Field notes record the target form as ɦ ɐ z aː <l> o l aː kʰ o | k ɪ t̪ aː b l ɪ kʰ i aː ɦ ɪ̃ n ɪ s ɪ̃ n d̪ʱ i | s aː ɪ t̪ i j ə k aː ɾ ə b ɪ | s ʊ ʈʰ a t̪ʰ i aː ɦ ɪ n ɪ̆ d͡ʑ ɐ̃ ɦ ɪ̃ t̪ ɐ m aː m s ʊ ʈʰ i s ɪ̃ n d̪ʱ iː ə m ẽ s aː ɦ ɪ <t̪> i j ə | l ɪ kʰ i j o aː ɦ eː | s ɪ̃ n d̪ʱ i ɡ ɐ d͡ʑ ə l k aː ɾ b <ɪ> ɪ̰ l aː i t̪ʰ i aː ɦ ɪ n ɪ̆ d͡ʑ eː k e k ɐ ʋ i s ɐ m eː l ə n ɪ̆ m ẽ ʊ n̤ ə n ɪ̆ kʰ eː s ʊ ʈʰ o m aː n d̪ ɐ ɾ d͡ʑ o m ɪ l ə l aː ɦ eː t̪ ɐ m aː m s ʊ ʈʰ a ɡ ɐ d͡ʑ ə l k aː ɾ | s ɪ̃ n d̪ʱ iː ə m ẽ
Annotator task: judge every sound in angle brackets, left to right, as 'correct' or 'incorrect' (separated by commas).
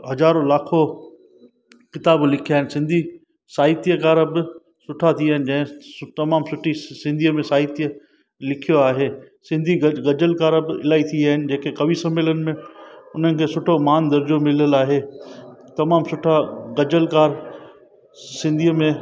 incorrect, correct, correct